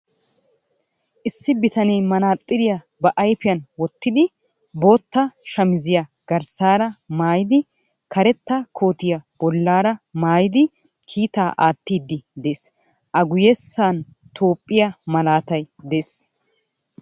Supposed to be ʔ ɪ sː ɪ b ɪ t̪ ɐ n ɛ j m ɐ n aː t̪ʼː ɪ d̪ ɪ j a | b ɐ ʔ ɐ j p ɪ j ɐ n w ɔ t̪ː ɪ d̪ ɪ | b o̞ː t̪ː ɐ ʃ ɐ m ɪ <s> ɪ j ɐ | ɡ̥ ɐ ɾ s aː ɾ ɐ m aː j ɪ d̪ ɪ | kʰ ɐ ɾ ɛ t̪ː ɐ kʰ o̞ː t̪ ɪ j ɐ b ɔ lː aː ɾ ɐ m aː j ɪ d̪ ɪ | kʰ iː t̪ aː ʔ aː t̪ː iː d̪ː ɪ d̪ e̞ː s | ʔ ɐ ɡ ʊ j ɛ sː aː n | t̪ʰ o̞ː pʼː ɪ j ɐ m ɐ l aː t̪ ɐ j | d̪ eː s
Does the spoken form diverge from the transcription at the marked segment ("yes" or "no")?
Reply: yes